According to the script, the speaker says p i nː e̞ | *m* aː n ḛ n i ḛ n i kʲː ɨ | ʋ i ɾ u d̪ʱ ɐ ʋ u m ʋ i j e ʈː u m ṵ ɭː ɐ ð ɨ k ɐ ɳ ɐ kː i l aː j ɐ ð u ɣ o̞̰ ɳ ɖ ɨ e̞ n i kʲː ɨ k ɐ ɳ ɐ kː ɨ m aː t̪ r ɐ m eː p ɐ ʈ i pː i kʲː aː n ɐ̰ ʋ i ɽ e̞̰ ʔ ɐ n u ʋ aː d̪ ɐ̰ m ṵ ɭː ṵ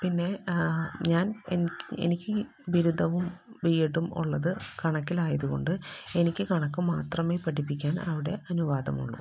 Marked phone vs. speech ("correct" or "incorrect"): incorrect